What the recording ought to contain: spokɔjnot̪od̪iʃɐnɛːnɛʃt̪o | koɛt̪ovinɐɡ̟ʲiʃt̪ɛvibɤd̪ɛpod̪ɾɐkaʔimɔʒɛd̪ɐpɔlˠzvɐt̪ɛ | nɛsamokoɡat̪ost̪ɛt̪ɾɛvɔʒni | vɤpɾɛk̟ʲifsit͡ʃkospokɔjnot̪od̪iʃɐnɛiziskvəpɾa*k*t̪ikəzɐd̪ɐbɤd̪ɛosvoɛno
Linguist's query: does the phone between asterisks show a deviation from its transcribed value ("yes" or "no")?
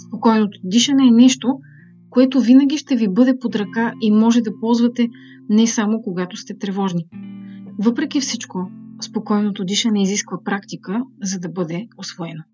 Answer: no